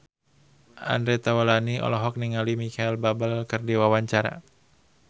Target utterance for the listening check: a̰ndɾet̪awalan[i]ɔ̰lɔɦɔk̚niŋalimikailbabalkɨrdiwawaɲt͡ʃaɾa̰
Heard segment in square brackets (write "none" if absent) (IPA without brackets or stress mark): i